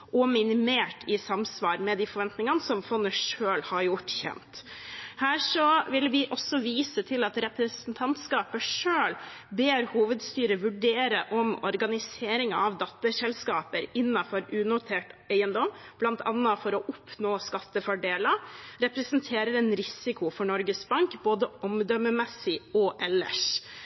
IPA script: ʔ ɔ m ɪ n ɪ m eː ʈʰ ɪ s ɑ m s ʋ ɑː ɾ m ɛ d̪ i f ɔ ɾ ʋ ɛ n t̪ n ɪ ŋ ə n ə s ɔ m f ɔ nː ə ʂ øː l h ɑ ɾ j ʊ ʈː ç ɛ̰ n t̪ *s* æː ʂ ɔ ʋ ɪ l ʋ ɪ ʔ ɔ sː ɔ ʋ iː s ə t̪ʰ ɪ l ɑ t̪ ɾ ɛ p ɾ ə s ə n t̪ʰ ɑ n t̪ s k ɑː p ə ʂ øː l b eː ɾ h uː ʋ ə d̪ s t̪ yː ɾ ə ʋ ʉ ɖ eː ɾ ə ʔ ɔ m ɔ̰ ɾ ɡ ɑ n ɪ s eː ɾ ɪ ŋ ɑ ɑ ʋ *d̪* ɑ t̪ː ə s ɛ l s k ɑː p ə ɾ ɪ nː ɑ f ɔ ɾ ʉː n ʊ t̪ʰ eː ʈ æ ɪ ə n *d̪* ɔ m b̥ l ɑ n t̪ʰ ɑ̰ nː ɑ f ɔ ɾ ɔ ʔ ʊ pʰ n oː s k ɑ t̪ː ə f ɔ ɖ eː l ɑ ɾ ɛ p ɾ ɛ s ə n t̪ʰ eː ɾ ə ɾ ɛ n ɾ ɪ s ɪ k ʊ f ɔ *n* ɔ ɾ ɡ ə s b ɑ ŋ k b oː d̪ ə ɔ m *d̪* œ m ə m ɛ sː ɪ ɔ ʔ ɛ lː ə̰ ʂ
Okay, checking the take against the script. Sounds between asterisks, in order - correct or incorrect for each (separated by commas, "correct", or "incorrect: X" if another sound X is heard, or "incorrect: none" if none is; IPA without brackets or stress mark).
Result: incorrect: h, correct, correct, incorrect: ɳ, correct